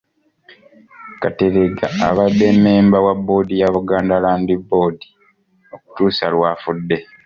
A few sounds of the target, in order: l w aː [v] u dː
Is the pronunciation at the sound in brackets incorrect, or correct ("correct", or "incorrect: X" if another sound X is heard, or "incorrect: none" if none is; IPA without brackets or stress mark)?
incorrect: f